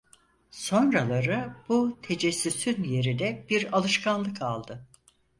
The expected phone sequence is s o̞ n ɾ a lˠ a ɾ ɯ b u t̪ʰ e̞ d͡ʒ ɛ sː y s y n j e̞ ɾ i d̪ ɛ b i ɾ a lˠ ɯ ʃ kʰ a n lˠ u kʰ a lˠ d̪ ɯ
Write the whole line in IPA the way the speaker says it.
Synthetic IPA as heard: s o̞ n ɾ a lˠ a ɾ ɯ b u t̪ʰ e̞ d͡ʒ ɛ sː y s y n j e̞ ɾ i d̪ ɛ b i ɾ a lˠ ɯ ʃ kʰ a n lˠ ɯ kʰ a lˠ d̪ ɯ